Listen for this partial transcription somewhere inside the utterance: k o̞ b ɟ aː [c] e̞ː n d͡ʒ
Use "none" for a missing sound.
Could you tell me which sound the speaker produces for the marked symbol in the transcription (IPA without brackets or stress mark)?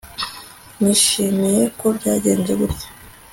ɟ